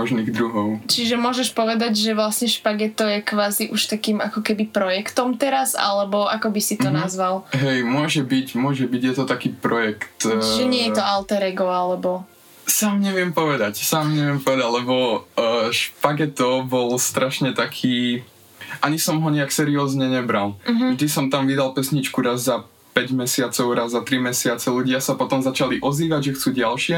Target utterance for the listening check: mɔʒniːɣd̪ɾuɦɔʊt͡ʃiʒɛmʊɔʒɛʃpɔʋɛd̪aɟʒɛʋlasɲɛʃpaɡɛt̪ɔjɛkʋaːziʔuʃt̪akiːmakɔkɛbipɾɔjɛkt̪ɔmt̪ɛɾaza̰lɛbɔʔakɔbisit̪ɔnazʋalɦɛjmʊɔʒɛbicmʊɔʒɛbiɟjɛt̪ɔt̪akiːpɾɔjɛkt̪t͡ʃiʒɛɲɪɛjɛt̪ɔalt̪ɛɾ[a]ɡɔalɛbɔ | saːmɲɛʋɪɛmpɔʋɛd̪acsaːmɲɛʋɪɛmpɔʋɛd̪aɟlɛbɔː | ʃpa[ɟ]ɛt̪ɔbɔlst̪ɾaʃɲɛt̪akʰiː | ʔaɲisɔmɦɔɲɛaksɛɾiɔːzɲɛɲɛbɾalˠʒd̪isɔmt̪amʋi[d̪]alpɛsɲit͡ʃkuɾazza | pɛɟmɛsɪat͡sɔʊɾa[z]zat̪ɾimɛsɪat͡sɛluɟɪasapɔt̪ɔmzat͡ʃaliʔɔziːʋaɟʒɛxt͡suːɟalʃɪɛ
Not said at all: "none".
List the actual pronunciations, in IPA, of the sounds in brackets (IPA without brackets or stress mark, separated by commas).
ɛ, ɡ, d̪, z